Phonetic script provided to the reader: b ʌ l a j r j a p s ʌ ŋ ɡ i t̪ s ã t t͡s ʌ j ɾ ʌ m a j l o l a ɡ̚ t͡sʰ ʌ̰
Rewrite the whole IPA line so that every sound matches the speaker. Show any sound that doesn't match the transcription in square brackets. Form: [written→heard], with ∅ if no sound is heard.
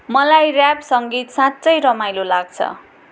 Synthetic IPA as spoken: [b→m] ʌ l a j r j a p s ʌ ŋ ɡ i t̪ s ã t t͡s ʌ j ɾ ʌ m a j l o l a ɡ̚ t͡sʰ ʌ̰